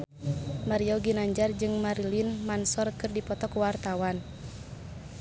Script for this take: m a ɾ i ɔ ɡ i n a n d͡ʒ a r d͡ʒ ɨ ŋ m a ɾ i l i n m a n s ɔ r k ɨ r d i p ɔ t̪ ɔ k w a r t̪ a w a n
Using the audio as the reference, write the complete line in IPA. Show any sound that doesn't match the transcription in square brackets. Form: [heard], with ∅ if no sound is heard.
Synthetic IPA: m a ɾ i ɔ ɡ i n a [ɲ] d͡ʒ a r d͡ʒ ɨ ŋ m a ɾ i l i n m a n s ɔ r k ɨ r d i p ɔ t̪ ɔ k w a r t̪ a w a n